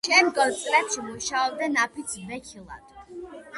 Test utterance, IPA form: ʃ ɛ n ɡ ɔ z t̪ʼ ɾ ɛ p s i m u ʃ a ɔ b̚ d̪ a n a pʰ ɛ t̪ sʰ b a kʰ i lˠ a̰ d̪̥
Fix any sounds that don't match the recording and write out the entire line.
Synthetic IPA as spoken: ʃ ɛ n ɡ ɔ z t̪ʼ ɾ ɛ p ʃ i m u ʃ a ɔ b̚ d̪ a n a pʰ i t̪ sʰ b ɛ kʰ i lˠ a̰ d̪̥